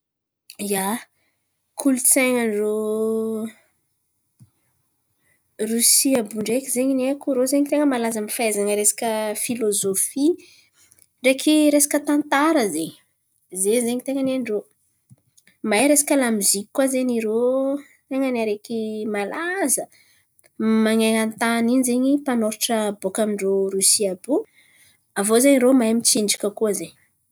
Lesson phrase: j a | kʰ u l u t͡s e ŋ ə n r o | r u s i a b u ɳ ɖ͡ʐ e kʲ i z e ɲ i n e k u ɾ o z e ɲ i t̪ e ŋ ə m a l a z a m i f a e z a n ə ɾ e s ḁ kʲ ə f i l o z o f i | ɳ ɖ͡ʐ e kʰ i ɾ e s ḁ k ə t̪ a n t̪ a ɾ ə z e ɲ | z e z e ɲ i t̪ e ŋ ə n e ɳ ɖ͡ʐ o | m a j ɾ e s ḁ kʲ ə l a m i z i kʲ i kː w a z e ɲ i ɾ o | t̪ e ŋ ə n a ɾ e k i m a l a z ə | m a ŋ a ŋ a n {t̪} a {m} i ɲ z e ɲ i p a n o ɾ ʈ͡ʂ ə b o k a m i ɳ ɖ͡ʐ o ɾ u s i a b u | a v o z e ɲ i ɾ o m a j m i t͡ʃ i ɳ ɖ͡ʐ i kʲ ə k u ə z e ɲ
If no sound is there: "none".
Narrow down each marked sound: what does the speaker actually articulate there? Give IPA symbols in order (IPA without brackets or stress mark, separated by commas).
t̪, n